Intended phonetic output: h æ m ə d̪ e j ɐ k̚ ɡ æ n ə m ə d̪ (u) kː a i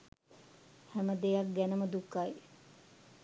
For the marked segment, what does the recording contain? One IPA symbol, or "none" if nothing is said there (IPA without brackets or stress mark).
u